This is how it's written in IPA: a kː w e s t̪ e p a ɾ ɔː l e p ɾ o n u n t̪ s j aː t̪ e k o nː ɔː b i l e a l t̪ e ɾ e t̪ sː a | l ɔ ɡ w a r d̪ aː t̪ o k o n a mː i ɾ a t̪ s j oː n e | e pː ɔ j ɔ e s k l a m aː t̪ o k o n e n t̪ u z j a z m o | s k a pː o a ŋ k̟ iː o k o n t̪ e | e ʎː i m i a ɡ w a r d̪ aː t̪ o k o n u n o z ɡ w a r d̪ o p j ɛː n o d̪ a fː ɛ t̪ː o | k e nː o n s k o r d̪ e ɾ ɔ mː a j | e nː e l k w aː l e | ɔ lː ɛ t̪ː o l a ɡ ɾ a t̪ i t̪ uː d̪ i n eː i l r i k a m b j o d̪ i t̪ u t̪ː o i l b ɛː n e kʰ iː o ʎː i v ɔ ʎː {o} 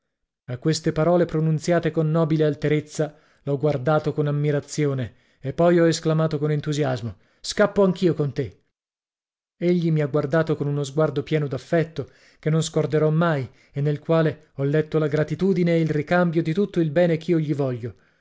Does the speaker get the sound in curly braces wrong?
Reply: no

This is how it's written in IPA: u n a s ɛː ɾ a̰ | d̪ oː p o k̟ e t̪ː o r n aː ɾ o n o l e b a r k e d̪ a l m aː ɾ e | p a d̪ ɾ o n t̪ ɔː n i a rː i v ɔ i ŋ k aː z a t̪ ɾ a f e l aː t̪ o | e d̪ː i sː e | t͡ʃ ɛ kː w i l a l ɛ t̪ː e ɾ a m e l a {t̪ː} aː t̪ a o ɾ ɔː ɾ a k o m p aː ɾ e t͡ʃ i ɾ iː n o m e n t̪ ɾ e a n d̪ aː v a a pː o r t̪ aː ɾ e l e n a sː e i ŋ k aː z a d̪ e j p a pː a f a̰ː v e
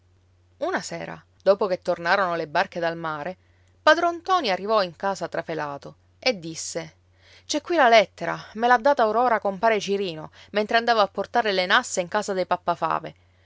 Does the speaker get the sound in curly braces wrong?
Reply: yes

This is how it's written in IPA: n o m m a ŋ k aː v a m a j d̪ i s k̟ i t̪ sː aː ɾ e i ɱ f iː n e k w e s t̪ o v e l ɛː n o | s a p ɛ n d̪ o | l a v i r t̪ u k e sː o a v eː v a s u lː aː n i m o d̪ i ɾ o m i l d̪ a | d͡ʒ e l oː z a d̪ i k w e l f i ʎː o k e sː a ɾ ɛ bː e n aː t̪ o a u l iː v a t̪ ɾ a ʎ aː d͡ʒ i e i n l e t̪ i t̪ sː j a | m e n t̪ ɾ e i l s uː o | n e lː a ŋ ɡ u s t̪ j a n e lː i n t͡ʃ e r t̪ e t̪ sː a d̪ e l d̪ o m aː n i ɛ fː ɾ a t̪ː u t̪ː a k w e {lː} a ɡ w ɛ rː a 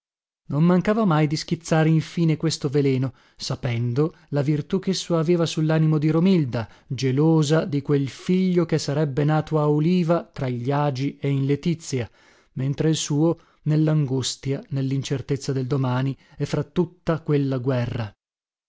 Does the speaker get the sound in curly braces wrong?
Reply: no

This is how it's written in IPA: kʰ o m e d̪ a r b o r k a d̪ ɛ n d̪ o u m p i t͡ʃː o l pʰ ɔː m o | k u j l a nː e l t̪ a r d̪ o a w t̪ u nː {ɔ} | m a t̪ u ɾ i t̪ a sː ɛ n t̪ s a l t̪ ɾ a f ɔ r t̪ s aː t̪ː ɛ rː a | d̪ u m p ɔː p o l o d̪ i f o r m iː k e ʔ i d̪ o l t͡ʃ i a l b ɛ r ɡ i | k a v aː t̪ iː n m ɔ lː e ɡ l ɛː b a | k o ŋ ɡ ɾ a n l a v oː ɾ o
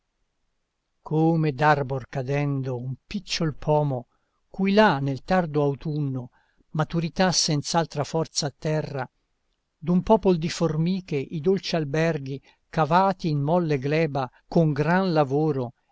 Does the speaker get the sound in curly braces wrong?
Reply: yes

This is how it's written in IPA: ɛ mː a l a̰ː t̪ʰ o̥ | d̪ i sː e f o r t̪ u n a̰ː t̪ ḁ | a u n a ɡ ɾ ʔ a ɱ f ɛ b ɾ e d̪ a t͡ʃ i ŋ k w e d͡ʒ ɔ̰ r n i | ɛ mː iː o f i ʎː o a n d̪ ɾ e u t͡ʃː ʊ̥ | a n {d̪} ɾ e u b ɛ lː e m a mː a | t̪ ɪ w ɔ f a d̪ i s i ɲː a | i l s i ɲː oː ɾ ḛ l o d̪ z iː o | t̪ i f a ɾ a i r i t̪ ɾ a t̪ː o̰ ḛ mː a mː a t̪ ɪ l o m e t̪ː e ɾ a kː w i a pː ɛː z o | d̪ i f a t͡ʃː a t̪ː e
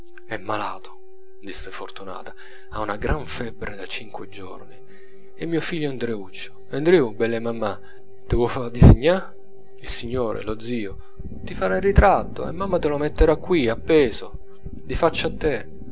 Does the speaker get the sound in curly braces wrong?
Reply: no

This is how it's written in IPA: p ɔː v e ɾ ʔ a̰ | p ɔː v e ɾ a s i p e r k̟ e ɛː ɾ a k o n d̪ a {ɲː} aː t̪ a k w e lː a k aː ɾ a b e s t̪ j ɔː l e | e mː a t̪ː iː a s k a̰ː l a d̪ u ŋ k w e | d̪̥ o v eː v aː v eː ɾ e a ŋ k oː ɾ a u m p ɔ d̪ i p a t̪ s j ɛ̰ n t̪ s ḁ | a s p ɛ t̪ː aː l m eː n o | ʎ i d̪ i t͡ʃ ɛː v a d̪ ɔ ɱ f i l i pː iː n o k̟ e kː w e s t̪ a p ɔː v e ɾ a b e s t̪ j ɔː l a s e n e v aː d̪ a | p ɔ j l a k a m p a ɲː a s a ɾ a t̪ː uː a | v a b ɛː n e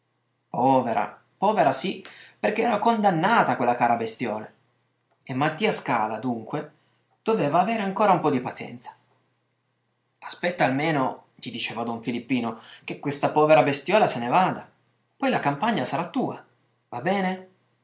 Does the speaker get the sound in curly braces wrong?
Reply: yes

